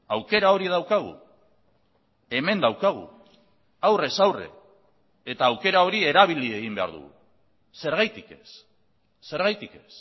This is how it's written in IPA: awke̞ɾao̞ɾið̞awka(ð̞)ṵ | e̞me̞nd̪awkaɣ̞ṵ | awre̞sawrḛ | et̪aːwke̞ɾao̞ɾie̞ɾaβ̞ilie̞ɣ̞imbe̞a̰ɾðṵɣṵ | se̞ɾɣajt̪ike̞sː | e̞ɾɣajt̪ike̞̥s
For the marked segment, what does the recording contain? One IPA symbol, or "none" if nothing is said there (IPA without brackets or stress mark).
ɣ̞